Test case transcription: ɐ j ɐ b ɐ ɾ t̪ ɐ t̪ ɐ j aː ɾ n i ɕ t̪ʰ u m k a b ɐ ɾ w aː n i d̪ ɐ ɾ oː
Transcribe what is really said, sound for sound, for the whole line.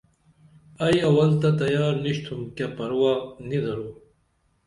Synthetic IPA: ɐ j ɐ w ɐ l t̪ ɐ t̪ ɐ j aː ɾ n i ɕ t̪ʰ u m k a p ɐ ɾ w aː n i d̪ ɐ ɾ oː